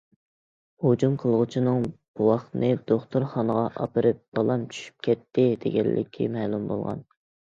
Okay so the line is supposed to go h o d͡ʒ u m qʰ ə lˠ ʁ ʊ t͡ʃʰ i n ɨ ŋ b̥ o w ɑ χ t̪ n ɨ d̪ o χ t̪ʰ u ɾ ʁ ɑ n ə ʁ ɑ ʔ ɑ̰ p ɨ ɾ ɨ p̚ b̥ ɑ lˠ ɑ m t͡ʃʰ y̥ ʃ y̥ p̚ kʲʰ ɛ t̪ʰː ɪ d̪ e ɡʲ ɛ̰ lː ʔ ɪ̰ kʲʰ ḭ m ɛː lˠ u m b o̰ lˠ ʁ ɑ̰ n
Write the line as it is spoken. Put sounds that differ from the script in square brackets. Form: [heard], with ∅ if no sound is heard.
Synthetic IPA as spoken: h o d͡ʒ u m qʰ ə lˠ ʁ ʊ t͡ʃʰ i n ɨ ŋ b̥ [u] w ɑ χ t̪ n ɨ d̪ o χ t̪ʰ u ɾ [χ] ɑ n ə ʁ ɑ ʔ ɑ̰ p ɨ ɾ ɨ p̚ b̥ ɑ lˠ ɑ m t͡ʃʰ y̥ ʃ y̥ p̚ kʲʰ ɛ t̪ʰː ɪ d̪ e ɡʲ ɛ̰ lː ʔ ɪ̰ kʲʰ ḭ m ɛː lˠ u m b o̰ lˠ ʁ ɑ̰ n